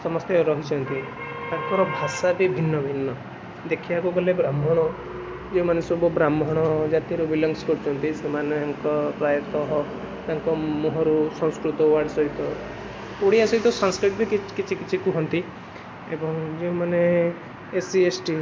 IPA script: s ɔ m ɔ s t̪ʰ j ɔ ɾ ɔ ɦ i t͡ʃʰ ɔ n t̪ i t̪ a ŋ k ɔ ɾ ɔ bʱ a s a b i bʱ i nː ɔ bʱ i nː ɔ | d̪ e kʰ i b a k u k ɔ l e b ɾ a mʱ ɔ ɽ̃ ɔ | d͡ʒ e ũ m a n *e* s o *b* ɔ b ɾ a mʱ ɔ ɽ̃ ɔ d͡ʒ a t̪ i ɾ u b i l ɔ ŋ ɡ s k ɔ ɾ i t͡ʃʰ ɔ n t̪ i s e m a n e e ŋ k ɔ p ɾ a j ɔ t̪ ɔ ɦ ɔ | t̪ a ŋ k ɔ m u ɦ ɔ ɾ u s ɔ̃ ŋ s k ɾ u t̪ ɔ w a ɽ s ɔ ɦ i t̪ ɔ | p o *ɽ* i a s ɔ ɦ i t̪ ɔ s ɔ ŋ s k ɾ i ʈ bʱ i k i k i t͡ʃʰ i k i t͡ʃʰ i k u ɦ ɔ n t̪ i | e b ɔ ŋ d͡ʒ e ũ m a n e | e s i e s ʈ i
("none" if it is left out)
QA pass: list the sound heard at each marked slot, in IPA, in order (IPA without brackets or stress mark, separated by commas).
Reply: e, b, ɽ